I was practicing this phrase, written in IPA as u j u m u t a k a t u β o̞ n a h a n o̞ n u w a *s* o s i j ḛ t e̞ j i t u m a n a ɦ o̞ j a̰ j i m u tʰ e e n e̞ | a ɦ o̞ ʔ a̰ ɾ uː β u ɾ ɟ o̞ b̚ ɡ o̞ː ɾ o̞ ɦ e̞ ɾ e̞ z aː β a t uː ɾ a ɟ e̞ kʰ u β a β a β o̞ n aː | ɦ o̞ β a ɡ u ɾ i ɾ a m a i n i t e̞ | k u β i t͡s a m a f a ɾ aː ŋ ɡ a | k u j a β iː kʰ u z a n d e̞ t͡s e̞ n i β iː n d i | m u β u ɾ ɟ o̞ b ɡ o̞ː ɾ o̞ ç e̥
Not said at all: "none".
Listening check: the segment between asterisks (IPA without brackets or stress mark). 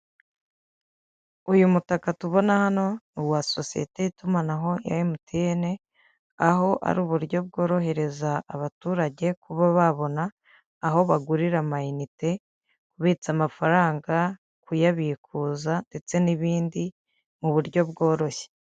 s